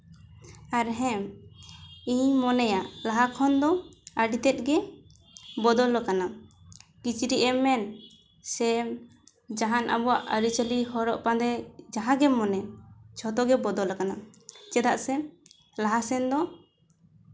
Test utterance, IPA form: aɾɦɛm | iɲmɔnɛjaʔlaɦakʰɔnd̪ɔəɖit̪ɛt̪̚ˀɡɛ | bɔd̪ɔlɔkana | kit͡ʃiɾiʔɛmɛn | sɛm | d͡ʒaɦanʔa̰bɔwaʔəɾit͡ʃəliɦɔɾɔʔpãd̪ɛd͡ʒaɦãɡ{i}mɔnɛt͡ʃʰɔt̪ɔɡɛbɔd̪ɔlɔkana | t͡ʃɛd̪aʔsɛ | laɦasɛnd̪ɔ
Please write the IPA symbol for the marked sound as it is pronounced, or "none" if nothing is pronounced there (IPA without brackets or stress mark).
ɛ